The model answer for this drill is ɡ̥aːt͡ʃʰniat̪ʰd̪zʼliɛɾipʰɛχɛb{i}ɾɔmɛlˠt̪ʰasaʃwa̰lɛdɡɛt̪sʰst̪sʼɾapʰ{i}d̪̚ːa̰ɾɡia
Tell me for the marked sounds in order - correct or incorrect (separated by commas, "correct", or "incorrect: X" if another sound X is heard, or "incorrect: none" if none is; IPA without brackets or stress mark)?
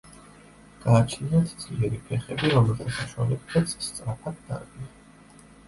correct, incorrect: a